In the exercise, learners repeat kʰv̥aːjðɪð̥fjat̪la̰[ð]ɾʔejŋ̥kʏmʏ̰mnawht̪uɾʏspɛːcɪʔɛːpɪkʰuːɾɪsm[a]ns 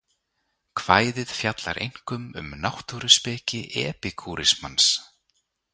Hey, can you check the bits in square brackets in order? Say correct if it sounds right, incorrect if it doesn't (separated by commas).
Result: incorrect, correct